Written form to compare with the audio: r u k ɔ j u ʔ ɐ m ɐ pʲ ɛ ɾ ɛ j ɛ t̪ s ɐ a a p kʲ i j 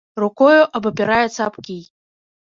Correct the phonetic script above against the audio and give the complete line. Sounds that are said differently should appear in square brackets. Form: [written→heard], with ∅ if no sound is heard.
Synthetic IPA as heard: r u k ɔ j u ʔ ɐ [m→b] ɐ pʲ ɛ ɾ [ɛ→a] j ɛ t̪ s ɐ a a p kʲ i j